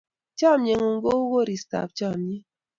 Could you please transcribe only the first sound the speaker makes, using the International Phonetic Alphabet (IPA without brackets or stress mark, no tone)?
t͡ʃ